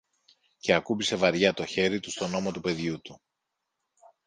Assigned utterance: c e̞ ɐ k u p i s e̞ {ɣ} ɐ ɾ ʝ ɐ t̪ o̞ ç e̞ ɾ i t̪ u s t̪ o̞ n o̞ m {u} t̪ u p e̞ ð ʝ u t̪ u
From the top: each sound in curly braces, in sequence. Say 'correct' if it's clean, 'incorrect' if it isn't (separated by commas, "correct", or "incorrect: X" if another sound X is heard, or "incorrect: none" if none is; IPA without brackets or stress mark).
incorrect: v, incorrect: o